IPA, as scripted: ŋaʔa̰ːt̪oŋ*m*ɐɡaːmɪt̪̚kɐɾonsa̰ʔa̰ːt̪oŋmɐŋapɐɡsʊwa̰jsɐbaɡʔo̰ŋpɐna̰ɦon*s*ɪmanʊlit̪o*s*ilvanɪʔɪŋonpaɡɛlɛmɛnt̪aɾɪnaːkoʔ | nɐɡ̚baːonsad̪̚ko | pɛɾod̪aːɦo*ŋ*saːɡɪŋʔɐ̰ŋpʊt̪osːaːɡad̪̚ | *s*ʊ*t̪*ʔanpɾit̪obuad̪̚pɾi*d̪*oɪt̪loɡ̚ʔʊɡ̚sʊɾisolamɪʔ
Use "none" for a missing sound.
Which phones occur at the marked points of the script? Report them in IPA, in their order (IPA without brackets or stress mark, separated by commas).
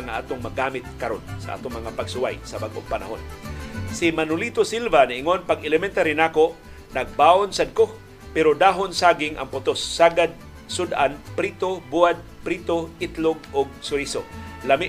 m, s, s, n, s, d̪, t̪